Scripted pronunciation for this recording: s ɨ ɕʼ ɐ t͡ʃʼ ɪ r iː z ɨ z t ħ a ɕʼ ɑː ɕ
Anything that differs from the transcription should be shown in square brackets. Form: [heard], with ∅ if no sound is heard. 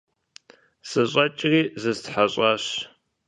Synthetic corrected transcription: s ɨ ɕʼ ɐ t͡ʃʼ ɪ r iː z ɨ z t ħ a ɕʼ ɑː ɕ